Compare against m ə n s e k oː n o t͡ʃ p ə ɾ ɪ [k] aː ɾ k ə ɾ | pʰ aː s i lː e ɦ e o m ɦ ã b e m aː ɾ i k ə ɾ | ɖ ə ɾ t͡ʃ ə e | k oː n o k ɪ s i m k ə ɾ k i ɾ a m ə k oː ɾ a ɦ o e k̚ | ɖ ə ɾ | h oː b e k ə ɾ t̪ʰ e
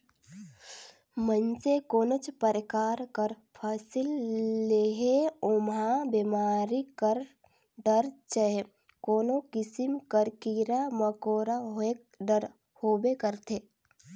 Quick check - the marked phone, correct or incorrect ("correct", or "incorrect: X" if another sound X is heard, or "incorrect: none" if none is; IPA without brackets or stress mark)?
correct